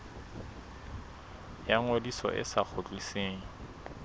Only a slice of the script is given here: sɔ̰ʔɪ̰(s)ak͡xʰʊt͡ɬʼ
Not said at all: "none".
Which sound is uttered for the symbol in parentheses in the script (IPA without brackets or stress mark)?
s